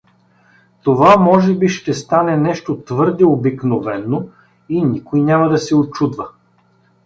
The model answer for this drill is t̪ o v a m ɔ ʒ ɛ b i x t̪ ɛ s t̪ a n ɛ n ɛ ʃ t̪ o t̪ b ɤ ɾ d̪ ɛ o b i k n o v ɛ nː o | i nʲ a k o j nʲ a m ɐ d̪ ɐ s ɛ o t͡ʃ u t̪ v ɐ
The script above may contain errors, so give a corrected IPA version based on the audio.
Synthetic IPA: t̪ o v a m ɔ ʒ ɛ b i ʃ t̪ ɛ s t̪ a n ɛ n ɛ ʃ t̪ o t̪ v ɤ ɾ d̪ ɛ o b i k n o v ɛ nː o | i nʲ i k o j nʲ a m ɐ d̪ ɐ s ɛ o t͡ʃ u d̪ v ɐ